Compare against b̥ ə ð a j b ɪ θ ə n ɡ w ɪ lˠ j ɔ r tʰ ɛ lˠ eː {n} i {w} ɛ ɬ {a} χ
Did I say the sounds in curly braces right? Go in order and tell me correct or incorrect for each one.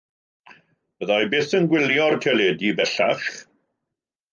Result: incorrect: d, incorrect: b, correct

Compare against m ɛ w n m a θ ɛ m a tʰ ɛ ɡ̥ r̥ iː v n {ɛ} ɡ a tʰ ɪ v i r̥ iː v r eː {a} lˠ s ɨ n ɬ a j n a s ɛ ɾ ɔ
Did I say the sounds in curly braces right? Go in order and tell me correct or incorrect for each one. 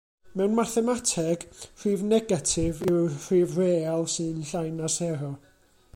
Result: correct, correct

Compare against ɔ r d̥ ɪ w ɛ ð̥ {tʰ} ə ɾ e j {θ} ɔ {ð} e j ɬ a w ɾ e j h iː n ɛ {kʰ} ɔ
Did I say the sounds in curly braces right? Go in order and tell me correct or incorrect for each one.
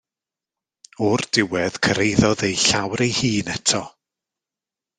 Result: incorrect: kʰ, incorrect: ð, correct, incorrect: tʰ

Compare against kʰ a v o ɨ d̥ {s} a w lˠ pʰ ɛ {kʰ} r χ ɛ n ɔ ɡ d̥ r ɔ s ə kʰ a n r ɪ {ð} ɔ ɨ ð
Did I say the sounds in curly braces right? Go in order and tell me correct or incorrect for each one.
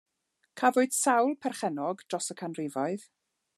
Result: correct, incorrect: none, incorrect: v

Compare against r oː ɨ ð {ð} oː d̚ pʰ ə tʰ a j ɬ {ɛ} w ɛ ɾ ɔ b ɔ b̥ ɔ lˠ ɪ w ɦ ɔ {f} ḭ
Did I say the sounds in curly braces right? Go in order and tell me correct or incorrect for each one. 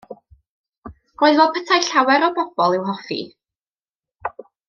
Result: incorrect: v, incorrect: a, correct

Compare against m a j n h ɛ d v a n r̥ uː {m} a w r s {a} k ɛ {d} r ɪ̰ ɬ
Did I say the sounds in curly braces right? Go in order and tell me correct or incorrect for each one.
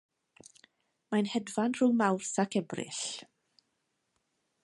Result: correct, correct, incorrect: b

